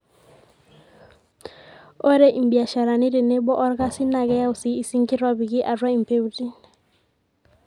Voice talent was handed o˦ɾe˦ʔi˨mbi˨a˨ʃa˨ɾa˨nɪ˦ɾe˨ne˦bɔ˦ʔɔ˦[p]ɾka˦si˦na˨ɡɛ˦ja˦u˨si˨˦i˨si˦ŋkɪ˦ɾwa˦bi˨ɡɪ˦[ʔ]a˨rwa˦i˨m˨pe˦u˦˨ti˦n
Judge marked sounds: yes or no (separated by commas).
no, yes